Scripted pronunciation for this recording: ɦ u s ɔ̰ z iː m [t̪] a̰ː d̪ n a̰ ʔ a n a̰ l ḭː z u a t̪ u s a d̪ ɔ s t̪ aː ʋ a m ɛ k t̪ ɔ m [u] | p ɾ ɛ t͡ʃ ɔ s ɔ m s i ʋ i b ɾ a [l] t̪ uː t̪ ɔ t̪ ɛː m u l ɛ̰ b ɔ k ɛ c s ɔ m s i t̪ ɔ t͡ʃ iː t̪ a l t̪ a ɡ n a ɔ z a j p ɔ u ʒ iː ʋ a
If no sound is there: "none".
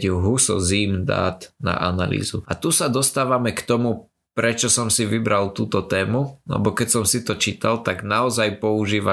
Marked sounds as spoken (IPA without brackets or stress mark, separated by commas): d̪, u, l